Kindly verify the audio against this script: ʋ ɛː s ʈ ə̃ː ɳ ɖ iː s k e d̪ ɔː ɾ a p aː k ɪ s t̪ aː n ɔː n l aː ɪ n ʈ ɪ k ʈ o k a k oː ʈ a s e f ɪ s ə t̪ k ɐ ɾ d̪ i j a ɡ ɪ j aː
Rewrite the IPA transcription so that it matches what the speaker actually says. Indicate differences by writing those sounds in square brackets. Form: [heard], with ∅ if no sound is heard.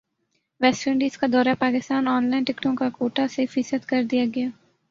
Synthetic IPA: ʋ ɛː s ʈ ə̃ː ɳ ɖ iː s k [a] d̪ ɔː ɾ a p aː k ɪ s t̪ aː n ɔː n l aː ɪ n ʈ ɪ k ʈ [õ] k a k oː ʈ a s e f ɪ s ə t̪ k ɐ ɾ d̪ i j a ɡ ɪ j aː